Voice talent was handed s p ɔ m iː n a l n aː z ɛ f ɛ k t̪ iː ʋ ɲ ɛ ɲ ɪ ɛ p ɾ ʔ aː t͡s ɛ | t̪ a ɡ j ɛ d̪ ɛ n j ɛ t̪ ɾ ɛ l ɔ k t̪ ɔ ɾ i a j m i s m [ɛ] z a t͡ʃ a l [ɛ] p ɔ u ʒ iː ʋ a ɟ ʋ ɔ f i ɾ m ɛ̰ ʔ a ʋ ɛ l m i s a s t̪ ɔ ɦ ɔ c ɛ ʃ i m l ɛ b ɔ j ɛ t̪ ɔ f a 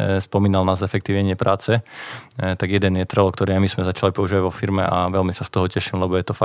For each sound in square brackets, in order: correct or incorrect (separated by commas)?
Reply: correct, incorrect